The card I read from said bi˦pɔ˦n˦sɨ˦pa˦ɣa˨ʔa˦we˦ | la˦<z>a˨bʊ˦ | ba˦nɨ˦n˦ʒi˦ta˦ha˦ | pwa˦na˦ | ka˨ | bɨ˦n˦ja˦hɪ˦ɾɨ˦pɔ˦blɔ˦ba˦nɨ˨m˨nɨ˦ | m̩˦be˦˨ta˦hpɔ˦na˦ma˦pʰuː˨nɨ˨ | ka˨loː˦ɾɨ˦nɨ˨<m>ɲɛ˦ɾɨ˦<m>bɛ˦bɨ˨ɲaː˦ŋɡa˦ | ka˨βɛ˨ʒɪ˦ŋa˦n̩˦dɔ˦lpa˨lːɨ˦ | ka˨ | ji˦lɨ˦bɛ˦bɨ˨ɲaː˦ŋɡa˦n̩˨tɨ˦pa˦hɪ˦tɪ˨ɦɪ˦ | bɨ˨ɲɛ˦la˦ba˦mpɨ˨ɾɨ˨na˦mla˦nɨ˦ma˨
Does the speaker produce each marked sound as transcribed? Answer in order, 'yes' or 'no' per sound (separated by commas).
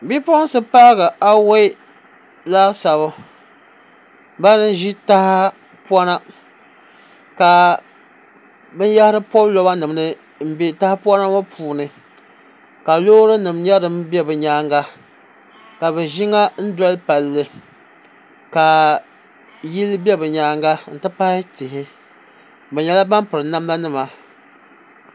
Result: no, yes, yes